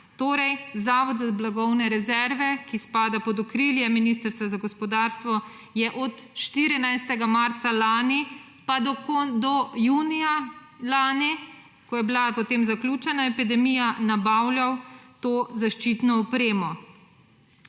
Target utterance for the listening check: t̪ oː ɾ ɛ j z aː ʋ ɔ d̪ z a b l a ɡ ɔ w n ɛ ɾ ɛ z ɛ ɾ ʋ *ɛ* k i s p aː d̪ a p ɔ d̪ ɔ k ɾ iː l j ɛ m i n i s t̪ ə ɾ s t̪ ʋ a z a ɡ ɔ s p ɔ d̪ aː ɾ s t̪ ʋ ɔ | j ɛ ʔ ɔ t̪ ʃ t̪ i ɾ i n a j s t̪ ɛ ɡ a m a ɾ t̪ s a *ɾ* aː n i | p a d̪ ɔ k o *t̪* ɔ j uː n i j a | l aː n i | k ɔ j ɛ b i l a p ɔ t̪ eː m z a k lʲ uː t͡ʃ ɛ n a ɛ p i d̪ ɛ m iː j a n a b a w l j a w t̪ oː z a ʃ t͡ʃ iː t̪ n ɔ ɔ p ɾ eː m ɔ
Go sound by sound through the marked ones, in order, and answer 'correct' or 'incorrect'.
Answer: correct, incorrect: l, incorrect: d̪

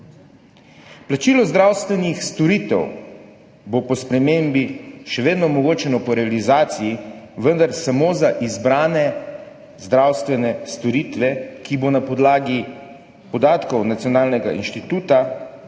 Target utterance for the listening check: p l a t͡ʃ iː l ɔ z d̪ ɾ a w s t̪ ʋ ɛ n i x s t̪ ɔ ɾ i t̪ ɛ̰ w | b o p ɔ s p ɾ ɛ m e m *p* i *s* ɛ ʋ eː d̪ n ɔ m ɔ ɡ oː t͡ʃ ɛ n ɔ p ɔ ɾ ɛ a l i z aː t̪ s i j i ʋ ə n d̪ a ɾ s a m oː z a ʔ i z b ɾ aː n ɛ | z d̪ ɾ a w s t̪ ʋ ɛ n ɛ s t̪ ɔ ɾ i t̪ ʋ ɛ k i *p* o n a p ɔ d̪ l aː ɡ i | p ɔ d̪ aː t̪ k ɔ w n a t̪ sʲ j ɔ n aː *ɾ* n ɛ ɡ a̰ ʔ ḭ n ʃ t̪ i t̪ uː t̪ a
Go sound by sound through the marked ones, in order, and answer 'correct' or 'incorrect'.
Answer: incorrect: b, incorrect: ʃ, incorrect: b, incorrect: l

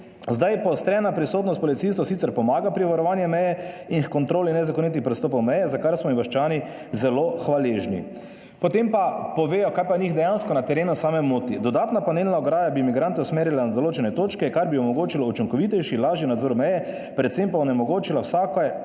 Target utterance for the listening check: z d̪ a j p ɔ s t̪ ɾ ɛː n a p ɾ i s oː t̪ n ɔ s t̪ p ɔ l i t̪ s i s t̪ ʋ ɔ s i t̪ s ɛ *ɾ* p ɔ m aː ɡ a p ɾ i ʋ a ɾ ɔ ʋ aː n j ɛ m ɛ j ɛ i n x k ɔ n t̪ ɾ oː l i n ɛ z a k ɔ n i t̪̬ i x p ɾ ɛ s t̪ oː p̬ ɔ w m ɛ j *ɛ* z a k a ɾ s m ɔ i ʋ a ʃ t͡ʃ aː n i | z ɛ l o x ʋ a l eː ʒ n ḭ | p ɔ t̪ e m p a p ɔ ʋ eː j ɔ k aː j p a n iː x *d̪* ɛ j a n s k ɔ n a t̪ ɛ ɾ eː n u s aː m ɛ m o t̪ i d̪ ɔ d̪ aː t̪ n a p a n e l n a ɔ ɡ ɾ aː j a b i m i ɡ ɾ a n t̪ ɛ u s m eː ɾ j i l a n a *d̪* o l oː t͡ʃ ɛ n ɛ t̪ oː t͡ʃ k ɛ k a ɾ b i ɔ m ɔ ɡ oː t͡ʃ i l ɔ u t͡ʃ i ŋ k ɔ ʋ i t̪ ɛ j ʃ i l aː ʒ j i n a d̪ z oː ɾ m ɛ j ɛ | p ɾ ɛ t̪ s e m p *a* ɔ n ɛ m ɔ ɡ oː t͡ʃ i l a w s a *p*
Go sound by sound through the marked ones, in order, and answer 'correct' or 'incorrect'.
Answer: correct, correct, correct, correct, correct, incorrect: k

